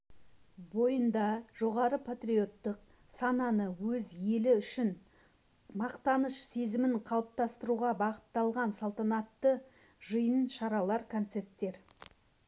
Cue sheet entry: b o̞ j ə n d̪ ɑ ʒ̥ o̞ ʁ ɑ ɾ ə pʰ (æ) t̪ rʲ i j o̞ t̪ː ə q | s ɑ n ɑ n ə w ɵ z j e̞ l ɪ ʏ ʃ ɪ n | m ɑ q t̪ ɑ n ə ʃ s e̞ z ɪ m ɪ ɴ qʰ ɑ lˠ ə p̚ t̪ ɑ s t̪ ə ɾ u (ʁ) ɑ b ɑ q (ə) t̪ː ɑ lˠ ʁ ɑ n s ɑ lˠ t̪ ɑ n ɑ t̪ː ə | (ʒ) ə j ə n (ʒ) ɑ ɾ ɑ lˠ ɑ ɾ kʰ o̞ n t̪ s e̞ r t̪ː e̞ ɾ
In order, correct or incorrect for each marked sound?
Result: incorrect: a, correct, correct, correct, incorrect: ʃ

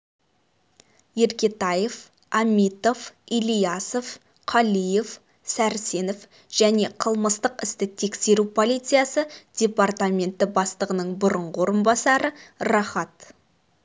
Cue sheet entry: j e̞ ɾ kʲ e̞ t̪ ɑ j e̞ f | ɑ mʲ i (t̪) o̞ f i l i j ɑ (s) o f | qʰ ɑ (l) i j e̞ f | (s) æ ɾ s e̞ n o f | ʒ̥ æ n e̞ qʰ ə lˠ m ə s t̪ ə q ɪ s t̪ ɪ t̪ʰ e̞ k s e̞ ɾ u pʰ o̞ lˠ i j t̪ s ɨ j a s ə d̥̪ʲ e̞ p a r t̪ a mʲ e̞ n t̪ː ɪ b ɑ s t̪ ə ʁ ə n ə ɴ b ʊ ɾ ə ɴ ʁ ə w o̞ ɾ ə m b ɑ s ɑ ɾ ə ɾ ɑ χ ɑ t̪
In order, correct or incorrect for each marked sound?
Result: correct, correct, correct, correct

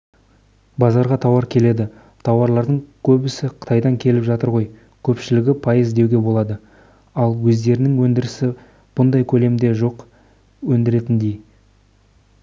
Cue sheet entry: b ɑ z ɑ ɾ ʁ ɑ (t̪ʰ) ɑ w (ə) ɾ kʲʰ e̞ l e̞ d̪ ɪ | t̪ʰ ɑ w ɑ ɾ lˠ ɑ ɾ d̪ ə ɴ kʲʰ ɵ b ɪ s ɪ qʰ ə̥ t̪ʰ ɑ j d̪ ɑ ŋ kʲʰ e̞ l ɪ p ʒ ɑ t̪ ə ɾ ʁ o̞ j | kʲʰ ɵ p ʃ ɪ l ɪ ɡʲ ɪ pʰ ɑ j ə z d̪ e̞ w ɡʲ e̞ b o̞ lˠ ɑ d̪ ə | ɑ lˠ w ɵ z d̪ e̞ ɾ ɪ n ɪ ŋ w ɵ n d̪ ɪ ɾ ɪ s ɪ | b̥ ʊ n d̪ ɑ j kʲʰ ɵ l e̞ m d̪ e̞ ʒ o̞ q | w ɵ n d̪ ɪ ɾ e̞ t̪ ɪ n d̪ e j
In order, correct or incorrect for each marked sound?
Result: correct, incorrect: ɑ

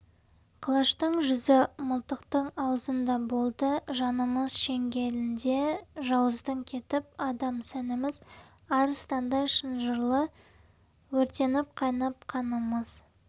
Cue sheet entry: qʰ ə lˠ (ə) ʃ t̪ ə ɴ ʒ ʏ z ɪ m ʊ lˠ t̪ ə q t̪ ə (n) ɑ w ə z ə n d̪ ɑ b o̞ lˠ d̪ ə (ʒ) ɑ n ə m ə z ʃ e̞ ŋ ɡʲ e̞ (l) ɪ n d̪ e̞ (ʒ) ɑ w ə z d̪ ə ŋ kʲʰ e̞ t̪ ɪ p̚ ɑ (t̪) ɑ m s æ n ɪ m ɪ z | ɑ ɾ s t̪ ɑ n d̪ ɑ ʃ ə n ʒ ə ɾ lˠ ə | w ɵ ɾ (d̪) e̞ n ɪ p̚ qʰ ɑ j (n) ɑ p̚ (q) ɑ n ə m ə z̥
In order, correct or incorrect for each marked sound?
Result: incorrect: ɑ, incorrect: ɴ, correct, correct, correct, incorrect: d̪, incorrect: t̪, correct, incorrect: qʰ

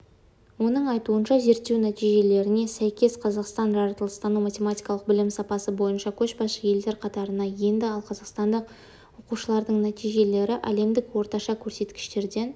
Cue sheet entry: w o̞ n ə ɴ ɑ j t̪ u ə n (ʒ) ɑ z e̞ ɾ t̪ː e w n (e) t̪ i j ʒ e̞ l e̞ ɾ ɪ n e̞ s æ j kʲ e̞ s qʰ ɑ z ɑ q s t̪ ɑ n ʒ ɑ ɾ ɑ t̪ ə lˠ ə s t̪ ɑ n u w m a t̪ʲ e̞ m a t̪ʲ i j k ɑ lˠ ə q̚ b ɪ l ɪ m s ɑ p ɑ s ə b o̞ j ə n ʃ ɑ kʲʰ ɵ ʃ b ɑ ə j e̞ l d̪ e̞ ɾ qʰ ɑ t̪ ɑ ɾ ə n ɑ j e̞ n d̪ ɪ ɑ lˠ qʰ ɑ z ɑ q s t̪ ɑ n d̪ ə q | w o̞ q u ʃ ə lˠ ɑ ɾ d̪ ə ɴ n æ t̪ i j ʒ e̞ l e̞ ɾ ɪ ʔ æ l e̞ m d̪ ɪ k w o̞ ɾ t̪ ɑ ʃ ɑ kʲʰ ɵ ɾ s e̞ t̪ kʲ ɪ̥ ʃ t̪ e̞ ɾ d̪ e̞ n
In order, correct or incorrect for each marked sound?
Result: incorrect: ʃ, incorrect: æ

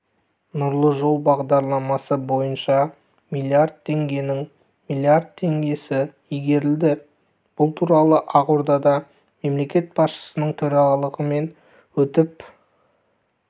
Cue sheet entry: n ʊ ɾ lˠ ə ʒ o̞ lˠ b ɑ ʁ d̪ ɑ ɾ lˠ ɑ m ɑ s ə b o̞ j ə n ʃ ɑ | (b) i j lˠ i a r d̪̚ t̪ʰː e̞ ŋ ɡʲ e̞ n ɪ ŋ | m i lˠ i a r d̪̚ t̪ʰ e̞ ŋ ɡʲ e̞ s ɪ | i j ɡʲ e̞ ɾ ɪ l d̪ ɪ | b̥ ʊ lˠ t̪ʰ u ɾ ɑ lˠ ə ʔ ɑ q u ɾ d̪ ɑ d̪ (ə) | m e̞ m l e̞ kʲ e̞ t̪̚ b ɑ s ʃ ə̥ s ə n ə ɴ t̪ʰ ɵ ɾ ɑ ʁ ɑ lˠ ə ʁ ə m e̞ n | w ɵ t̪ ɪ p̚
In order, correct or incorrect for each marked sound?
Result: incorrect: m, incorrect: ɑ

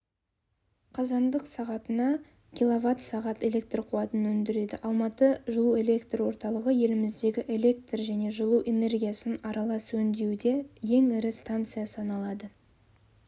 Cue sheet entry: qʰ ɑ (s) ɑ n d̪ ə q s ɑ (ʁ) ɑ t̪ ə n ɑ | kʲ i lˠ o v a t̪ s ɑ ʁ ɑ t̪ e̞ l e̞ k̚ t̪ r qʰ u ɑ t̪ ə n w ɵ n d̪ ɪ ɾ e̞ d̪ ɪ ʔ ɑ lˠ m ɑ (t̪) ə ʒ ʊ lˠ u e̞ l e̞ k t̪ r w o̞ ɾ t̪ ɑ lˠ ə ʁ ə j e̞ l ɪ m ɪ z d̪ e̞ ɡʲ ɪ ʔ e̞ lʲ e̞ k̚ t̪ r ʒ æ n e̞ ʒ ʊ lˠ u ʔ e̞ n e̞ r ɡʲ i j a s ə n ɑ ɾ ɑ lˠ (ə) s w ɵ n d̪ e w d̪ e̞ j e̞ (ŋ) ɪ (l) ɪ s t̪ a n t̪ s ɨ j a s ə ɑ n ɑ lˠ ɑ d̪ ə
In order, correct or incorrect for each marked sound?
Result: incorrect: z, correct, correct, incorrect: ɑ, correct, incorrect: ɾ

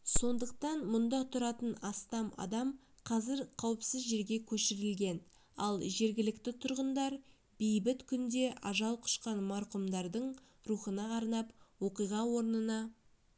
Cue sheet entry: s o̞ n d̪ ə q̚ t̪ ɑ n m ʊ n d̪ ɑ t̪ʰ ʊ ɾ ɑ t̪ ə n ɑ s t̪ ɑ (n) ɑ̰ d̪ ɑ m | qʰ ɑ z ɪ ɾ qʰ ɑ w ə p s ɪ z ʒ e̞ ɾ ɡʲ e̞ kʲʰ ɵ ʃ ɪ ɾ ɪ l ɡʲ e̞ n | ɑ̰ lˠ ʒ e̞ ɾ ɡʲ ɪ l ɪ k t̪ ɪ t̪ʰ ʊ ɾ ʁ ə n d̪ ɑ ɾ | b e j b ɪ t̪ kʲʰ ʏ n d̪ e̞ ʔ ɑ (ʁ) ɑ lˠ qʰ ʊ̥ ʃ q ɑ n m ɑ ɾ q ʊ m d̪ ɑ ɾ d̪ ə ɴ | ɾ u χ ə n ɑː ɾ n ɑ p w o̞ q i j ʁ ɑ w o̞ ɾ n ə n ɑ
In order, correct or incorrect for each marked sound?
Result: incorrect: m, incorrect: ʒ

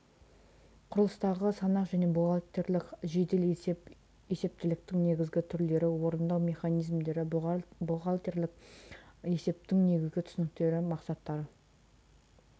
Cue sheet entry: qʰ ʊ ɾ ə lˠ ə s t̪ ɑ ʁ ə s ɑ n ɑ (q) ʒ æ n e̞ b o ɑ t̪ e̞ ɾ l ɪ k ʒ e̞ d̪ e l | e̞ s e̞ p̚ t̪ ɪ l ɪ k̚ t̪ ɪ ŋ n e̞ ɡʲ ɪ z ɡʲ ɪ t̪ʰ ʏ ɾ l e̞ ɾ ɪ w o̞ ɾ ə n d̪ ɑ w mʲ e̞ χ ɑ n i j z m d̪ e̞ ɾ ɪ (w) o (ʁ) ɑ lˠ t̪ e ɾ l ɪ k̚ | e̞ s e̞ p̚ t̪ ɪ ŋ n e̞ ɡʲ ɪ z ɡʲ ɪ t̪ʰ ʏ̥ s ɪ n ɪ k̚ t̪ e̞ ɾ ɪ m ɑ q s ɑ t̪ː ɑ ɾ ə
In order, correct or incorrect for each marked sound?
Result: correct, incorrect: b, correct

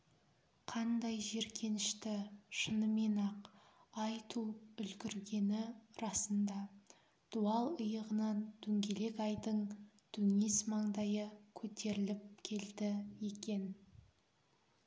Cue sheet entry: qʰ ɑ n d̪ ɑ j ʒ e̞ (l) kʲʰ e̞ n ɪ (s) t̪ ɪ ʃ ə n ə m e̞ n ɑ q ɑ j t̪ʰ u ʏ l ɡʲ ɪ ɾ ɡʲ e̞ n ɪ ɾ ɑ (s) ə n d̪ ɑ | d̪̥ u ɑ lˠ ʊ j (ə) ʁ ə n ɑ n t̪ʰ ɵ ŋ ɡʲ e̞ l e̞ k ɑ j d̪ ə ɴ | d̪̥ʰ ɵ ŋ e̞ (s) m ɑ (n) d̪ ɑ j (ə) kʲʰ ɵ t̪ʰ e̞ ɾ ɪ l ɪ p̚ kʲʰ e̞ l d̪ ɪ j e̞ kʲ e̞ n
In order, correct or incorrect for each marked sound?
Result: incorrect: ɾ, incorrect: ʃ, correct, correct, correct, incorrect: ɴ, correct

